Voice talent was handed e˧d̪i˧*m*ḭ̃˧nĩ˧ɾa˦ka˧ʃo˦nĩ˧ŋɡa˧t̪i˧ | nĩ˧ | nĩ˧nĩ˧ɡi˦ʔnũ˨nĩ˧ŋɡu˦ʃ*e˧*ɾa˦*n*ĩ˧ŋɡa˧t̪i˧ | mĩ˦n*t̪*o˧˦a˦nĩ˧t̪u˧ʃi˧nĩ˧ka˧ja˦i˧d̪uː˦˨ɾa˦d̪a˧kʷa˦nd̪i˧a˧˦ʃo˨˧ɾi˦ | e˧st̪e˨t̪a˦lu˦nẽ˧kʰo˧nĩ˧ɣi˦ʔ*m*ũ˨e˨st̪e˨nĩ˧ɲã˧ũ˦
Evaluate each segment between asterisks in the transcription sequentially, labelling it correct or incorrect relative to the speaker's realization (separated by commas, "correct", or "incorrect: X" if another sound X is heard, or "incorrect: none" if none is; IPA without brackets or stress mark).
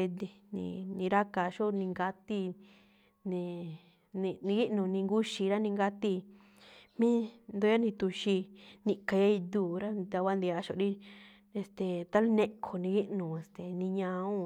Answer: incorrect: n, incorrect: i˧, correct, incorrect: d̪, incorrect: n